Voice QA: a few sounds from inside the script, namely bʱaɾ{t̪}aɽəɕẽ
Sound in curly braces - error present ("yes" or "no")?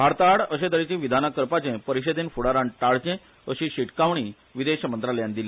no